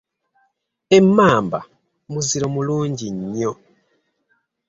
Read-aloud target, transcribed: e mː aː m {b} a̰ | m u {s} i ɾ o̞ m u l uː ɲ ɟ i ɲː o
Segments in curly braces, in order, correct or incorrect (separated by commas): correct, incorrect